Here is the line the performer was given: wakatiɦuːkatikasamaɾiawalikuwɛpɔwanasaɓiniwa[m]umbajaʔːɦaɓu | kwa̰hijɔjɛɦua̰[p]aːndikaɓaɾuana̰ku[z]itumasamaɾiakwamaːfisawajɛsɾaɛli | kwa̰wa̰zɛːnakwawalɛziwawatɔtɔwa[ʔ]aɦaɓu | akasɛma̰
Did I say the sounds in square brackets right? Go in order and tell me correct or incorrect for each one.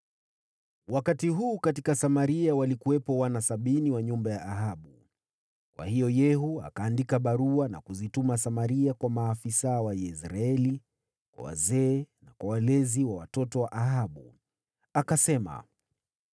incorrect: ɲ, incorrect: k, correct, correct

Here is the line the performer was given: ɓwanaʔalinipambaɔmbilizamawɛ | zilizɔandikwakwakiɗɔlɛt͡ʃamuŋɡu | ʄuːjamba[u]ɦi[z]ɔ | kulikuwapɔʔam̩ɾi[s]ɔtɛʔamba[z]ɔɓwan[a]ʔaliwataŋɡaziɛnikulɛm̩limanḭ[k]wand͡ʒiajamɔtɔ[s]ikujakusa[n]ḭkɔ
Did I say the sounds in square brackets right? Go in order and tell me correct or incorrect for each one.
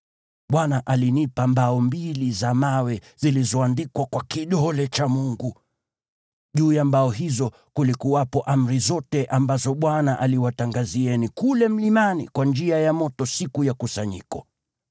incorrect: ɔ, correct, incorrect: z, correct, correct, correct, correct, incorrect: ɲ

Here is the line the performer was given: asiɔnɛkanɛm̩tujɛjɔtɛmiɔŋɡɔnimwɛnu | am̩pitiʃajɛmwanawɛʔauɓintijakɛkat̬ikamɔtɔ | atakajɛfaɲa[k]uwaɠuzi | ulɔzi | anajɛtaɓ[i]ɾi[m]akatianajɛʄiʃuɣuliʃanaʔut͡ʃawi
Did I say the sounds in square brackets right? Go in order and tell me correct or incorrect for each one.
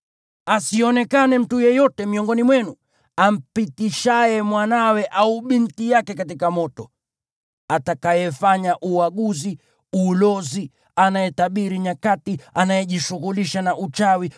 incorrect: ʔ, correct, incorrect: ɲ

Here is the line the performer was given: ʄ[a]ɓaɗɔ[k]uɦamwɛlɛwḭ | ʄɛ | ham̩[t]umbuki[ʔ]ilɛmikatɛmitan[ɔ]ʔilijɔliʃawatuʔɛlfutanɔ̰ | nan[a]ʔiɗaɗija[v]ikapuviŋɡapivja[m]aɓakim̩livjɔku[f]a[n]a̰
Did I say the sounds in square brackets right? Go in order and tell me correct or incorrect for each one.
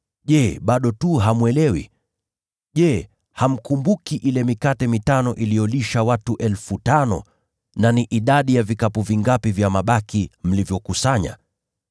incorrect: ɛ, incorrect: t, incorrect: k, correct, correct, incorrect: i, correct, correct, incorrect: s, incorrect: ɲ

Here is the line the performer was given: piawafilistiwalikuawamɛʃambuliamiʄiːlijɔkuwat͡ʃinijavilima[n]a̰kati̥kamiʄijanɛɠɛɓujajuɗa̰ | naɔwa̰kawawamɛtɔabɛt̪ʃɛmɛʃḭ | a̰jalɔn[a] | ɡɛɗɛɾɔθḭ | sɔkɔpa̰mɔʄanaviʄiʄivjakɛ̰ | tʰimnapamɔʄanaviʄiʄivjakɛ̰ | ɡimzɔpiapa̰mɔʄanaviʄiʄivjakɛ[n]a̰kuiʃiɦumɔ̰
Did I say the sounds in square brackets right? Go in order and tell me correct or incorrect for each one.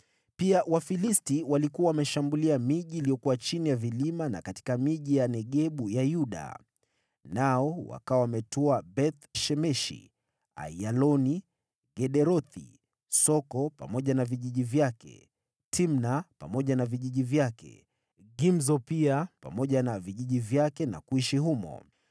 correct, incorrect: i, correct

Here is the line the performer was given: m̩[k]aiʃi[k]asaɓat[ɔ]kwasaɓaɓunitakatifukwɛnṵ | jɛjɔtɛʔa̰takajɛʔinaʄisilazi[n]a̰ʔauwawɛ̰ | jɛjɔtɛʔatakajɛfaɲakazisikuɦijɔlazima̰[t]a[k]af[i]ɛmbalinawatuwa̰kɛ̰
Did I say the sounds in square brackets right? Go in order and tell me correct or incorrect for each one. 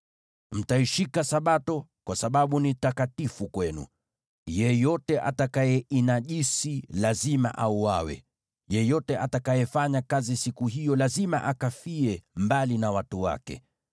incorrect: t, correct, correct, incorrect: m, incorrect: ʔ, correct, correct

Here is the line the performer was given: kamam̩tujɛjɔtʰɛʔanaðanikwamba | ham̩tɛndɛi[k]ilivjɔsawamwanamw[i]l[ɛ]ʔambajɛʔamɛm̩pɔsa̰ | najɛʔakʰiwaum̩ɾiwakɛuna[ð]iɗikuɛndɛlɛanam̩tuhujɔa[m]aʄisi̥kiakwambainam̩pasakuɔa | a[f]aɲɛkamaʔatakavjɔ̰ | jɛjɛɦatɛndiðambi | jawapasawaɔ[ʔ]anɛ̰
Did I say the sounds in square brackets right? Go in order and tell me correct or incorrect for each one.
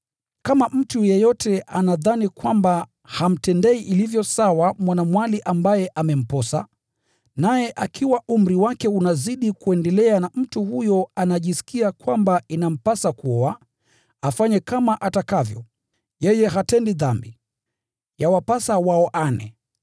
incorrect: ʔ, incorrect: a, incorrect: i, incorrect: z, incorrect: n, correct, correct

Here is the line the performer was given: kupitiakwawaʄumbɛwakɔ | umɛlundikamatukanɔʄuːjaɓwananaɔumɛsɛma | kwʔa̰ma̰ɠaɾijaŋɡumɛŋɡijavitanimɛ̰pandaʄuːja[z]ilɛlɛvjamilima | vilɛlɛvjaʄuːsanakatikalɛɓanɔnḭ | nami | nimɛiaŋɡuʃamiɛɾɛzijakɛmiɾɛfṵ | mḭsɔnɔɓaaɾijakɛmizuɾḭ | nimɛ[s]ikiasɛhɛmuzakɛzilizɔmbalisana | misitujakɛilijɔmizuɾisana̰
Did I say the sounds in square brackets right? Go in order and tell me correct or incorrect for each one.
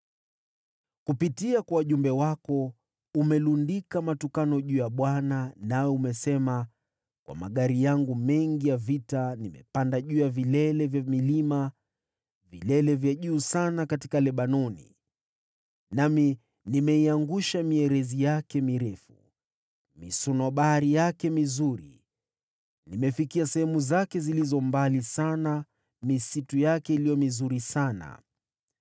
incorrect: v, incorrect: f

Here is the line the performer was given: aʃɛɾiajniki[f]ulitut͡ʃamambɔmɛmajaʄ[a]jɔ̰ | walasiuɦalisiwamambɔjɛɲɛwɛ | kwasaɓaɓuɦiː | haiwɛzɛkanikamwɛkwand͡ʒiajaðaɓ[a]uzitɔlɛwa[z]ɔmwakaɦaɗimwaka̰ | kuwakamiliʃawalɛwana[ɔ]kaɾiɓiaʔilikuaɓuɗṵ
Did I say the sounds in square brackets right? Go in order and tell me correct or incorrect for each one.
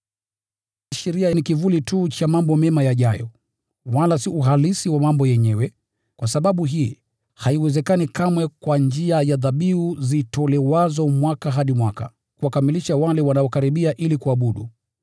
incorrect: v, correct, incorrect: i, correct, correct

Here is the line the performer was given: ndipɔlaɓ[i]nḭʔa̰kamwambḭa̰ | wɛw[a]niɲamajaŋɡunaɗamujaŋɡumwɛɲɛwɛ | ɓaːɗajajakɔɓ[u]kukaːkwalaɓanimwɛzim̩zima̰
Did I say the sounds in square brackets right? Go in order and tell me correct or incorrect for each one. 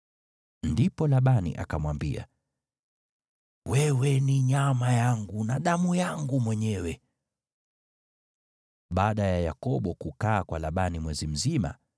incorrect: a, incorrect: ɛ, incorrect: ɔ

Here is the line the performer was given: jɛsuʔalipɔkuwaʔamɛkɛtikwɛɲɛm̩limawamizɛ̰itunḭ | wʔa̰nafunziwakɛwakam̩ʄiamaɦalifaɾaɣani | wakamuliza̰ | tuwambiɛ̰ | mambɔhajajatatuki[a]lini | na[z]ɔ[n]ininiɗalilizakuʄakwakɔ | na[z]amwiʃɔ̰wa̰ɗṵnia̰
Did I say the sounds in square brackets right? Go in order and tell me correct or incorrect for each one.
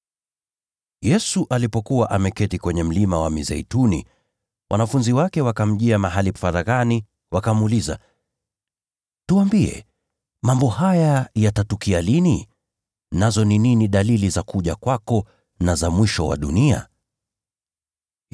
correct, correct, correct, correct

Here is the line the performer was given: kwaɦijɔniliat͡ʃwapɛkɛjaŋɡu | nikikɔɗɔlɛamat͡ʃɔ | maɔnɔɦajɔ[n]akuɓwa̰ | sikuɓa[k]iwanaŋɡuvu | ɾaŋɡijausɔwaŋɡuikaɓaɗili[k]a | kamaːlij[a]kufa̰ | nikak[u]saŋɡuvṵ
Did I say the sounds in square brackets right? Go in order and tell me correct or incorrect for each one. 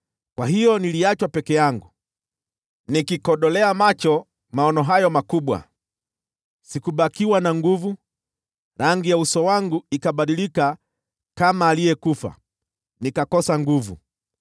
incorrect: m, correct, correct, incorrect: ɛ, incorrect: ɔ

